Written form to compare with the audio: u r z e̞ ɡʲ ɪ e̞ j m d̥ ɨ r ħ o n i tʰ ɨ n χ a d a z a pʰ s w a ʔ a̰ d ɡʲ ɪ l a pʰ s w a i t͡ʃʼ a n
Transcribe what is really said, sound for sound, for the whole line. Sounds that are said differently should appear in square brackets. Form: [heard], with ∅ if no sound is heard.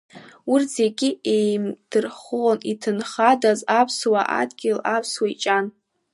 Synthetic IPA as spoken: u r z e̞ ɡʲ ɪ e̞ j m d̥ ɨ r [χ] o n i tʰ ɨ n χ a d a z a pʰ s w a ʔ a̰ d ɡʲ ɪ l a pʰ s w a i t͡ʃʼ a n